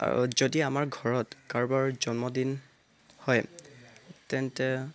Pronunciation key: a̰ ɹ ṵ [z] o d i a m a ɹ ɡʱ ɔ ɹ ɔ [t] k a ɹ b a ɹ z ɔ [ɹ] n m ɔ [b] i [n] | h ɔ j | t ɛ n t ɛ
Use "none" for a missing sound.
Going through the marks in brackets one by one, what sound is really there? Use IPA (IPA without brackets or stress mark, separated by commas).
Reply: z, t, none, d, n